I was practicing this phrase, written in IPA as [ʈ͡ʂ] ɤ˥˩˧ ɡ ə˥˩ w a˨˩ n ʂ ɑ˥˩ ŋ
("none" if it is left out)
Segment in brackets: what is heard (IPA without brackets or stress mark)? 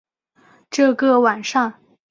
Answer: ʈ͡ʂ